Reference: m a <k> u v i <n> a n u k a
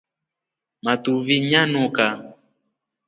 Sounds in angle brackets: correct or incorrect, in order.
incorrect, incorrect

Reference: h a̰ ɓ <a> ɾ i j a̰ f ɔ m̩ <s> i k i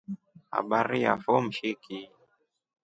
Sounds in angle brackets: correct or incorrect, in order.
correct, incorrect

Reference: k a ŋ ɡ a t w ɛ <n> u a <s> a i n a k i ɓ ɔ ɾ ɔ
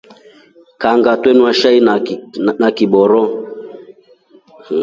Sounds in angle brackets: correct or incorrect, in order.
correct, incorrect

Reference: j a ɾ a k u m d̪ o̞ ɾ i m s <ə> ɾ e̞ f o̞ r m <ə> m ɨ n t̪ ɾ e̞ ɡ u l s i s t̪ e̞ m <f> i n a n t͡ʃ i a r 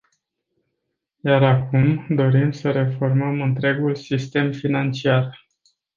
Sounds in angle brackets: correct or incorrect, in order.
correct, correct, correct

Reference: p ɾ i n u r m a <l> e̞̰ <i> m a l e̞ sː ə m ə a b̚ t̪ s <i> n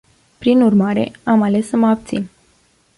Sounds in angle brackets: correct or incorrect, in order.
incorrect, incorrect, correct

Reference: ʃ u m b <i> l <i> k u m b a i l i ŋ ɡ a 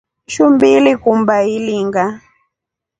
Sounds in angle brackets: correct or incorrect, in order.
correct, correct

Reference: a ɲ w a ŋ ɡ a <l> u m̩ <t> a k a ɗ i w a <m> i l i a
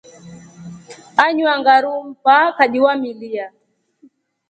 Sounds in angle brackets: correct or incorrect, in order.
incorrect, incorrect, correct

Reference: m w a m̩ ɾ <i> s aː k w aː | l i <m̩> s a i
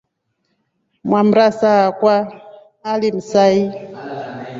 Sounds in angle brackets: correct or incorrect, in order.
incorrect, correct

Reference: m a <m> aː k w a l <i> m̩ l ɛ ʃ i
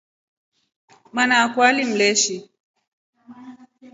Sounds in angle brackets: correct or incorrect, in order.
incorrect, correct

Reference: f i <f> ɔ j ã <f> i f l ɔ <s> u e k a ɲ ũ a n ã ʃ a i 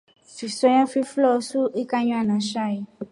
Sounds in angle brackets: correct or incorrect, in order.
incorrect, correct, correct

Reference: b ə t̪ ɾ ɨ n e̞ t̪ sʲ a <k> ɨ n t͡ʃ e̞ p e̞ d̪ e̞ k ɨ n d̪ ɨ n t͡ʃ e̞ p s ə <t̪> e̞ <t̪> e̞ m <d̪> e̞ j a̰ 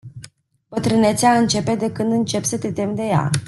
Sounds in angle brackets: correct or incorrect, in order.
incorrect, correct, correct, correct

